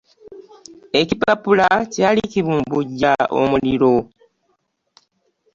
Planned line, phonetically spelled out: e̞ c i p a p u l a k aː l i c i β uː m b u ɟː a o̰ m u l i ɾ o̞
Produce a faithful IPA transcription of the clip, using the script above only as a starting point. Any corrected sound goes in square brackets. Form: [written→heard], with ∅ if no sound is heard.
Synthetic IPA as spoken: e̞ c i p a p u l a [k→c] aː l i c i β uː m b u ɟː a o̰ m u l i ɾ o̞